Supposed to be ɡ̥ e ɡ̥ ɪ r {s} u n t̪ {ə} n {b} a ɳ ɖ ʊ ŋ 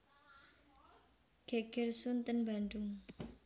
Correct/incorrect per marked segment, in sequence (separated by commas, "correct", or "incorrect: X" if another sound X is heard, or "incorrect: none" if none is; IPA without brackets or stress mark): correct, correct, correct